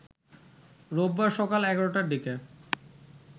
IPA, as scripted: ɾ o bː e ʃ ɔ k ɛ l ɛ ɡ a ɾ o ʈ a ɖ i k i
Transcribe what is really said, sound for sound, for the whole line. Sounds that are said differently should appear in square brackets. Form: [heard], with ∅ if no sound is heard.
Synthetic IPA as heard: ɾ o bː [a] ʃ ɔ k [a] l ɛ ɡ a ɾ o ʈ a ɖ i k [e]